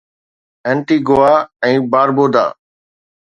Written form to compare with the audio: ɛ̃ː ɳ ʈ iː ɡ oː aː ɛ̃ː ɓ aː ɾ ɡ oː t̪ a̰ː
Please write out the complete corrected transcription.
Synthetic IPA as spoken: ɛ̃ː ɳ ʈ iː ɡ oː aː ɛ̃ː b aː ɾ b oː d̪ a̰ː